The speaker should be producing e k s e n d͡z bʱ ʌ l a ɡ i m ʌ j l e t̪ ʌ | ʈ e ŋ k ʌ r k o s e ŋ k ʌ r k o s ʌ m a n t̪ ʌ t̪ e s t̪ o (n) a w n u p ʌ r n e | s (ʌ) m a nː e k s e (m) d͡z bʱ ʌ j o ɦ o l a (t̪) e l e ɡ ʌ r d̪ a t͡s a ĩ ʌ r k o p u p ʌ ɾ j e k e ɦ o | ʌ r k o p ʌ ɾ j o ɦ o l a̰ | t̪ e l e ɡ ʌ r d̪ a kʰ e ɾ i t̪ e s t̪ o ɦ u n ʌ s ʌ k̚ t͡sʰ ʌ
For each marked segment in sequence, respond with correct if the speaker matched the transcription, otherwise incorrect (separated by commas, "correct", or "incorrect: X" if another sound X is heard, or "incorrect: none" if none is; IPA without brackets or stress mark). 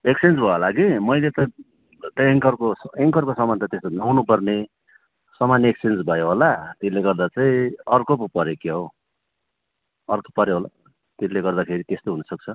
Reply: correct, correct, incorrect: n, correct